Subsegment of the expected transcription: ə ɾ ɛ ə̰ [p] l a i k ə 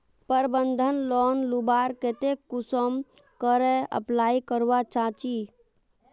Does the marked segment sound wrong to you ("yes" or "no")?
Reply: no